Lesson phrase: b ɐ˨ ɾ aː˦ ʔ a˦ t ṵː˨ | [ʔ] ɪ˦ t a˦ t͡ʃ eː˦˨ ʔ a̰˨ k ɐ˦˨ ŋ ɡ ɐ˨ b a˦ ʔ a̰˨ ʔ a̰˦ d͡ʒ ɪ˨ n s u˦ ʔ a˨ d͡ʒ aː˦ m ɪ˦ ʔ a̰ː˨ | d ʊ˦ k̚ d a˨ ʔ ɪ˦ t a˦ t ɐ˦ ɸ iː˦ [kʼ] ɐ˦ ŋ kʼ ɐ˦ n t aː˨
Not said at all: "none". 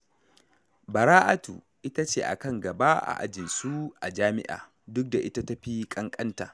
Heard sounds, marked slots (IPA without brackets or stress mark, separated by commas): ʔ, kʼ